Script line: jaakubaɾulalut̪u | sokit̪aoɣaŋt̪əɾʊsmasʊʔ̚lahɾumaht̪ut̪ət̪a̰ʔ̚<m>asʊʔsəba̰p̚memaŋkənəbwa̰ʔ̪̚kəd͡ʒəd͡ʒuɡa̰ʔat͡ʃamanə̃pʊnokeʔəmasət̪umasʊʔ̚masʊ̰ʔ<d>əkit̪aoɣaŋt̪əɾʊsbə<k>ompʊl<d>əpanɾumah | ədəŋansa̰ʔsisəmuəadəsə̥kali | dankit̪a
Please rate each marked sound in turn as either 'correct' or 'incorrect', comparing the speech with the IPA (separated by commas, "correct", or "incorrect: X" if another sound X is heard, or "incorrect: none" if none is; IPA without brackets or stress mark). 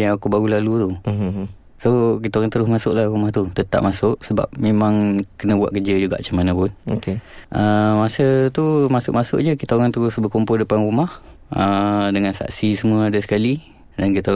correct, incorrect: d͡ʒ, correct, correct